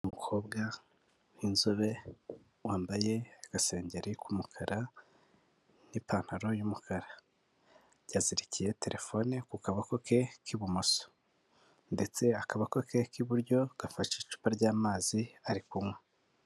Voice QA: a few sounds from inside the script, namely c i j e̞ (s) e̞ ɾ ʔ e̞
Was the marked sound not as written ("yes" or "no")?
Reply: yes